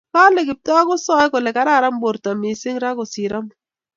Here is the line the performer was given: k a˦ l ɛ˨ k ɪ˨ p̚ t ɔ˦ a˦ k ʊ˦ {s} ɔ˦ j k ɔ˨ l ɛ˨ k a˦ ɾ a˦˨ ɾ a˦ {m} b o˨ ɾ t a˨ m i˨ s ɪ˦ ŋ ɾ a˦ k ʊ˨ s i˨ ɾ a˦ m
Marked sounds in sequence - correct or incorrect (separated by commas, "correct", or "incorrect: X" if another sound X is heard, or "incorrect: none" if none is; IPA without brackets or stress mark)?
correct, correct